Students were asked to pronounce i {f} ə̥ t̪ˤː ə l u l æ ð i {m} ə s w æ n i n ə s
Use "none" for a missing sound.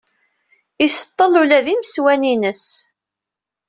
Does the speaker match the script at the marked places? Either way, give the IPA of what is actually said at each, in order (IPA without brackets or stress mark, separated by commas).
s, m